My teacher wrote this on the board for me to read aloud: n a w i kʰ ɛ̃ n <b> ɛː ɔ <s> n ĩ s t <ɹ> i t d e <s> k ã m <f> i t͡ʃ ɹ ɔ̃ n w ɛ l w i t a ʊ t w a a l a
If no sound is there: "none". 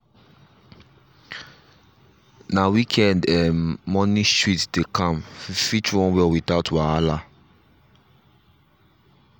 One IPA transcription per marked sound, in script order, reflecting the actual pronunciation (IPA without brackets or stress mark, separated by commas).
d, none, ɹ, none, f